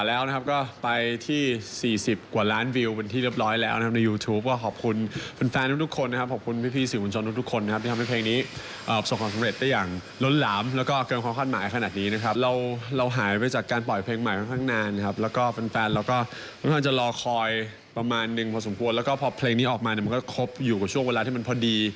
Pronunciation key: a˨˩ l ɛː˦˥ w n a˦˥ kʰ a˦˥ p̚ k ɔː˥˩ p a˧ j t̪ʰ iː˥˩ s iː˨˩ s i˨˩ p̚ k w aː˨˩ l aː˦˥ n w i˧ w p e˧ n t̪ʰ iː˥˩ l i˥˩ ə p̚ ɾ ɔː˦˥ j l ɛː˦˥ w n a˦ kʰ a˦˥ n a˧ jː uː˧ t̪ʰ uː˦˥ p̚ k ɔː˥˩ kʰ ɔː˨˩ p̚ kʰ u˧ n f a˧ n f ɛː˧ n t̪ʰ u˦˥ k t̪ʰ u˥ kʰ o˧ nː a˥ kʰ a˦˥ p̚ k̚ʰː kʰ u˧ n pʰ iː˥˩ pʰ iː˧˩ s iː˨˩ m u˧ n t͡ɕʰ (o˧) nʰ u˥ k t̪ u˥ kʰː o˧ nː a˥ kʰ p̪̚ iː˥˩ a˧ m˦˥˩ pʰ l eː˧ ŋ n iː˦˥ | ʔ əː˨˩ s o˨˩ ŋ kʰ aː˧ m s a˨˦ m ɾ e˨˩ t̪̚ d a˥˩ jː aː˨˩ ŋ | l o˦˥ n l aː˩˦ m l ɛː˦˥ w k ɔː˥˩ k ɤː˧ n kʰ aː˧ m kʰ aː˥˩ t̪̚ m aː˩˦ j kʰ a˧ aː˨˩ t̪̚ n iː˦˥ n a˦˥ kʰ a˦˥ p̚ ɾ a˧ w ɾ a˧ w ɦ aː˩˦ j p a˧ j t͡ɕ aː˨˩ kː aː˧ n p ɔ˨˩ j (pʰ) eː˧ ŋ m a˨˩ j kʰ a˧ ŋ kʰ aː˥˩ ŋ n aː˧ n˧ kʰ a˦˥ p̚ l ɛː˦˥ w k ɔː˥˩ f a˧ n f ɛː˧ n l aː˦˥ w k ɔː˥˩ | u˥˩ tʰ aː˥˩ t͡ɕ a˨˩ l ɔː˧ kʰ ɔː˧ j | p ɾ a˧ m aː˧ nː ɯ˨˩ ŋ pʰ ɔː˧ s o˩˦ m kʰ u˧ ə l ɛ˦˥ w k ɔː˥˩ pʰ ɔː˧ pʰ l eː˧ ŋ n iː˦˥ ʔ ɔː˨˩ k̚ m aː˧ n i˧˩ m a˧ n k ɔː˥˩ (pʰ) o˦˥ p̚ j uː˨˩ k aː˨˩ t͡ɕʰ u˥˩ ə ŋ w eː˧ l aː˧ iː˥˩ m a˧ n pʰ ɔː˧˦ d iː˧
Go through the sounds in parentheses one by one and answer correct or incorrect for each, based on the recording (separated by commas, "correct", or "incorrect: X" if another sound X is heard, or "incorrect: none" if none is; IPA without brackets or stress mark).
correct, correct, incorrect: kʰ